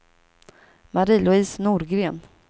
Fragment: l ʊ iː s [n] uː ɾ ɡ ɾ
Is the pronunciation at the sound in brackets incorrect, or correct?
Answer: correct